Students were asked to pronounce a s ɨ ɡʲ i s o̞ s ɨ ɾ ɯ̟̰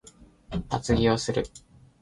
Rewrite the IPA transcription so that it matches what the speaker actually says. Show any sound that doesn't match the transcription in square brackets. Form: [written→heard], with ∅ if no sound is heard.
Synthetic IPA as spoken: a [s→t͡s] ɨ ɡʲ i [s→∅] o̞ s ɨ ɾ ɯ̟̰